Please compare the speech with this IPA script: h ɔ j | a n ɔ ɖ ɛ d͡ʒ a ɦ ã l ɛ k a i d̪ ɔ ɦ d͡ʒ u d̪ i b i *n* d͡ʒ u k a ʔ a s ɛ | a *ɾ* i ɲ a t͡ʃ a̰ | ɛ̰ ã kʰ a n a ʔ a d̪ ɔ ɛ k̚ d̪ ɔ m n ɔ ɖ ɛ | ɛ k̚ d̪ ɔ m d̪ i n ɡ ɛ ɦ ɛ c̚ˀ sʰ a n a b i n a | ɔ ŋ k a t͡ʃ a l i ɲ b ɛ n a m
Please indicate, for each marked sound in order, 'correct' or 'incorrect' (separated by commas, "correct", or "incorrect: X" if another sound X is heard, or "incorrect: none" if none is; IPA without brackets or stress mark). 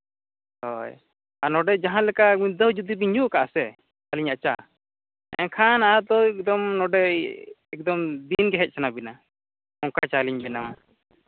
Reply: incorrect: ɲ, incorrect: l